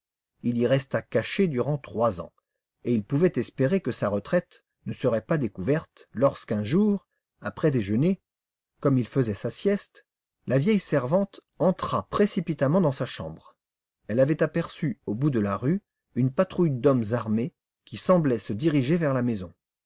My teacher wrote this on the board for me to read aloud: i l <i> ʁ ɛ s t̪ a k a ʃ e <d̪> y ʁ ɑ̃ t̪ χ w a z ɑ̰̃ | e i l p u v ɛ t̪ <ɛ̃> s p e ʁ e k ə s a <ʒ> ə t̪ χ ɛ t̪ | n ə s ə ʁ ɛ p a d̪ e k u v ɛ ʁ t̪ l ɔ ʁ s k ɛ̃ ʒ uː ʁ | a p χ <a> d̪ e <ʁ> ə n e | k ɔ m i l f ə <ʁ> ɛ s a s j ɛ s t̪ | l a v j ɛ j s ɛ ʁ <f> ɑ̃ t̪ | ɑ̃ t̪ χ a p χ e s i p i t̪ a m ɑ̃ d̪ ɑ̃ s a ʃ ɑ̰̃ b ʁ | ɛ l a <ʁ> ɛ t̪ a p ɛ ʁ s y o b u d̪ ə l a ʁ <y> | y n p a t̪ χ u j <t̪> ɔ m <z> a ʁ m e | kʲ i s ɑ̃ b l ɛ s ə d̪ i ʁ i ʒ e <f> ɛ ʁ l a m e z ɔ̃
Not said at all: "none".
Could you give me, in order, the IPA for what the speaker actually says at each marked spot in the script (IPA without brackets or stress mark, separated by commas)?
i, d̪, ɛ, ʁ, ɛ, ʒ, z, v, v, y, d̪, z, v